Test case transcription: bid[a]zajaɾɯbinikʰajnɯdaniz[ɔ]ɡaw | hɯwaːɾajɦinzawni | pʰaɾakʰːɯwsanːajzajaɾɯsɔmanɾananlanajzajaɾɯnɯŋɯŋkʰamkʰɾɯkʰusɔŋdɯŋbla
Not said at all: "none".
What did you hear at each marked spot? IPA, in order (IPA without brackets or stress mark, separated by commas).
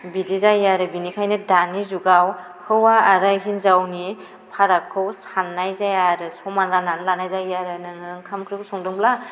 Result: i, u